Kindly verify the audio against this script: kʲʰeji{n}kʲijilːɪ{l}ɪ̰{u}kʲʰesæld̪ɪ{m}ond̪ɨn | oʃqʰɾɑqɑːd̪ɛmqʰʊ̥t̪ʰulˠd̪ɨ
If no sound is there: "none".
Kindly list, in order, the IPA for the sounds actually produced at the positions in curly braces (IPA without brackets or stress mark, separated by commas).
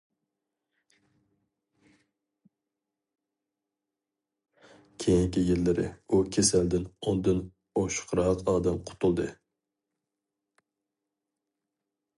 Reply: ŋ, ɾ, u, n